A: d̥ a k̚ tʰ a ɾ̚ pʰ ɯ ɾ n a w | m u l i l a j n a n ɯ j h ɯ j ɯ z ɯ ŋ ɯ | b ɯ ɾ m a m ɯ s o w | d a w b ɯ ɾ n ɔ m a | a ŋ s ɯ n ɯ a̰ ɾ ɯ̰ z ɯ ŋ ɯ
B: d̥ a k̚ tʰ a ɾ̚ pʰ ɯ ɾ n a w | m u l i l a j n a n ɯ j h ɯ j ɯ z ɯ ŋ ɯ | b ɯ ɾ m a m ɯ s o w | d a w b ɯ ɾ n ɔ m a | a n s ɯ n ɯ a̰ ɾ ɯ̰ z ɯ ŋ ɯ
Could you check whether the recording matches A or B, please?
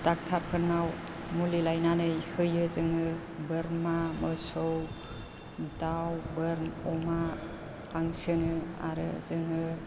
A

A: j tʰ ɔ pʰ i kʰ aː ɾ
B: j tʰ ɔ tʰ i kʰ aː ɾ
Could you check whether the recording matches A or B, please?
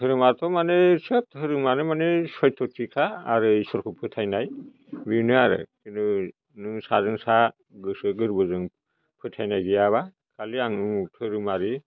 B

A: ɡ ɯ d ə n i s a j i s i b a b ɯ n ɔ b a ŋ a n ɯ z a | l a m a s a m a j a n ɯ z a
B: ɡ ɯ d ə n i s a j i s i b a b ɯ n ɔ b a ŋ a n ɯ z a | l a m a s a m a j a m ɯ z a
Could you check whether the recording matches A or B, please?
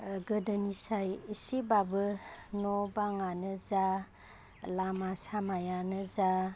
A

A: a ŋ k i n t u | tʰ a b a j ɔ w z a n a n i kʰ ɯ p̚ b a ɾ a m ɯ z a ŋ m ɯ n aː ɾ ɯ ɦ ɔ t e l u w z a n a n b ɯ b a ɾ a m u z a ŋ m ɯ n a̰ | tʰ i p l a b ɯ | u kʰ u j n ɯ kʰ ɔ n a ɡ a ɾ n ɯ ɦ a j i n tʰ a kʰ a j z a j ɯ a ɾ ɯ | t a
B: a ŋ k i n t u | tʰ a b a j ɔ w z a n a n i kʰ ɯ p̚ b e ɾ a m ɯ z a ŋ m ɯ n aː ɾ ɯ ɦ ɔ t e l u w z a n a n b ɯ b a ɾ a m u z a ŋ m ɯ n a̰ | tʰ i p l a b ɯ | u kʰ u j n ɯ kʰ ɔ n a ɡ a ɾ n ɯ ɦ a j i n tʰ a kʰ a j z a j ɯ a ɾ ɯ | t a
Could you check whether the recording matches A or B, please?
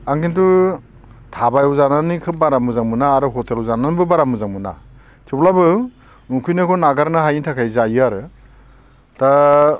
A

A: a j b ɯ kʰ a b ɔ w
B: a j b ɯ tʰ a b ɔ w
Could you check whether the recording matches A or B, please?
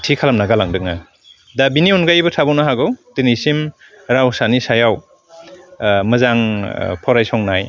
B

